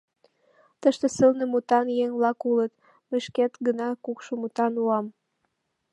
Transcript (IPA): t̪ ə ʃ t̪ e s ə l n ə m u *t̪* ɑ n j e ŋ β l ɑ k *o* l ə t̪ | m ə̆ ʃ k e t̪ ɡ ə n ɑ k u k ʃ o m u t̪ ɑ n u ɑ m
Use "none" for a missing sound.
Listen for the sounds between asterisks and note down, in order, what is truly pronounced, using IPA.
t̪, u

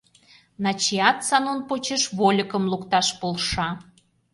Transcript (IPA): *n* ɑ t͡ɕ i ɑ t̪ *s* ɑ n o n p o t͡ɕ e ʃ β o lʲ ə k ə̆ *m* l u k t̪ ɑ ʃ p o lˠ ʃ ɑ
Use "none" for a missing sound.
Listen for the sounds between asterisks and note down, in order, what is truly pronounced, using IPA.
n, s, m

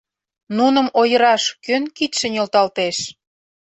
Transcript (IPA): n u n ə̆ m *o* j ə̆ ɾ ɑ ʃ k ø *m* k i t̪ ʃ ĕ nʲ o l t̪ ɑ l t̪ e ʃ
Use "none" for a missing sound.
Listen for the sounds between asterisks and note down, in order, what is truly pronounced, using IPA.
o, n

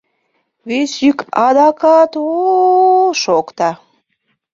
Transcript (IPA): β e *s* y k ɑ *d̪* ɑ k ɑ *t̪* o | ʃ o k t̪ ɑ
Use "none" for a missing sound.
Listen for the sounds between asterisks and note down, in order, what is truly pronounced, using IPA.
s, d̪, t̪

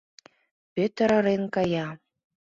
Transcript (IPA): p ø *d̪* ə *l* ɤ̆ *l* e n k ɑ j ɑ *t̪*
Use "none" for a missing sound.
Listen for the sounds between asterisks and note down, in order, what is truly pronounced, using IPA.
t̪, ɾ, ɾ, none

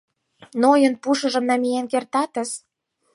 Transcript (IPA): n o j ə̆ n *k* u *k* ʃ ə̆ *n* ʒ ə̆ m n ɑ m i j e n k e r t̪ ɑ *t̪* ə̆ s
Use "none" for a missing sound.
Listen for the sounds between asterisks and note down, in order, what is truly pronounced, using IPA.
p, none, none, t̪

